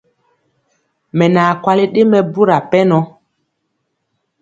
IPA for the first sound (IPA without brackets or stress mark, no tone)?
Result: m